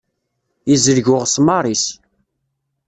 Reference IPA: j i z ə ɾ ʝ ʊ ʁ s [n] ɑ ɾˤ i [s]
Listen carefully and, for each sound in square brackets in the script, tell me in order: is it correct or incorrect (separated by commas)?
incorrect, correct